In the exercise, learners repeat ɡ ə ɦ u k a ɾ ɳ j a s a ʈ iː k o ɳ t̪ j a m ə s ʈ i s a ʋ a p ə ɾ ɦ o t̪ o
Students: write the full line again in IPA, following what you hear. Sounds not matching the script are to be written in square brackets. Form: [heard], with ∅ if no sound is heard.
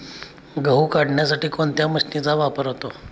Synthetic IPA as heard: ɡ ə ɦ u k a [ɽ] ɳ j a s a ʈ iː k o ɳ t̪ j a m ə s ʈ i [t͡s] a ʋ a p ə ɾ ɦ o t̪ o